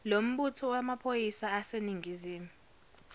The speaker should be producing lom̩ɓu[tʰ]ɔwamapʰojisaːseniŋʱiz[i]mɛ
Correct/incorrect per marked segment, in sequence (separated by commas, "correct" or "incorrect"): correct, incorrect